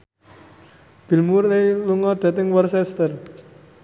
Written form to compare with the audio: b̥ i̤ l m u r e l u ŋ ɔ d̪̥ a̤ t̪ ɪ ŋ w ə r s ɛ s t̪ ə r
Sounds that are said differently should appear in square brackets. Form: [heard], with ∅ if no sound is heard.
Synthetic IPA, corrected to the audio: b̥ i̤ l m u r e l u ŋ ɔ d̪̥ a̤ t̪ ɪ ŋ w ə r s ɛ s t̪ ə r

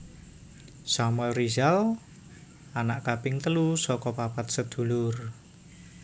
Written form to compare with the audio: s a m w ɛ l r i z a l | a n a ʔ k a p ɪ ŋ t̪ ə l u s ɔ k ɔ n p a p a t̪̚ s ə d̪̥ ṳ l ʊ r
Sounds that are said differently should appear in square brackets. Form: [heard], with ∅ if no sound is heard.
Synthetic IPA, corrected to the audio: s a m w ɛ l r i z a l | a n a ʔ k a p ɪ ŋ t̪ ə l u s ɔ k ɔ [∅] p a p a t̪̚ s ə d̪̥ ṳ l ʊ r

